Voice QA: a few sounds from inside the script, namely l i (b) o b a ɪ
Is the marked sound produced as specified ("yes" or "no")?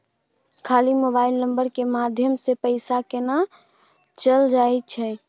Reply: no